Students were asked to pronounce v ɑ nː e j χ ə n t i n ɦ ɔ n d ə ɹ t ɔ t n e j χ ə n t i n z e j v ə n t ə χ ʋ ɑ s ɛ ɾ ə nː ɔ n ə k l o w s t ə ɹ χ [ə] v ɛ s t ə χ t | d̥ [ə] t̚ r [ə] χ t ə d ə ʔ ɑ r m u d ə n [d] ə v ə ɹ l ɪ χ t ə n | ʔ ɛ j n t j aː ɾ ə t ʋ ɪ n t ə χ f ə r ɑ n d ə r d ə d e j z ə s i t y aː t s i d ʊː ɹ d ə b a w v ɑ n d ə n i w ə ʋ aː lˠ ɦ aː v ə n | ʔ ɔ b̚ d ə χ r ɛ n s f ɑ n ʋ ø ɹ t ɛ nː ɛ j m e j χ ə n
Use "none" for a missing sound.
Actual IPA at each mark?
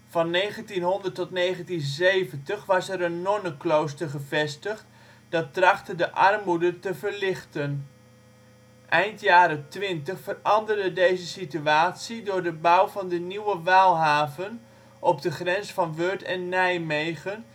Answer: ə, ɑ, ɑ, t

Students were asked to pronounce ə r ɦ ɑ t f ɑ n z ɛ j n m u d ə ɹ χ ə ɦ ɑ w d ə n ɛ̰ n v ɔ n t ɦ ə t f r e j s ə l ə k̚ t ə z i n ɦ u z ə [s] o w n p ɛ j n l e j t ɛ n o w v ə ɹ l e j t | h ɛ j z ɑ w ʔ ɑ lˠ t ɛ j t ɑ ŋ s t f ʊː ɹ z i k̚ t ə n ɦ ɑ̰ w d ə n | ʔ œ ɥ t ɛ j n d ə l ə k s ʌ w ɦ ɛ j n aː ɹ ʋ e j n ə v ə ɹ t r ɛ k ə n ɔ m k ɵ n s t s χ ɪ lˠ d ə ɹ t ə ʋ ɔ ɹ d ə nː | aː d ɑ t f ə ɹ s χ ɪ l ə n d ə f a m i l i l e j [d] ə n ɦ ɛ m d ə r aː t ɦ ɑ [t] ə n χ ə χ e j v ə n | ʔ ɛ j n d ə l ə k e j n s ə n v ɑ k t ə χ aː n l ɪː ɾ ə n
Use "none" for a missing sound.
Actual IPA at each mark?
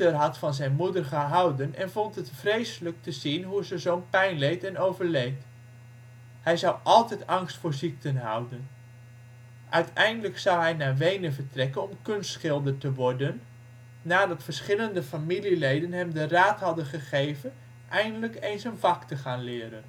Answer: z, d, d

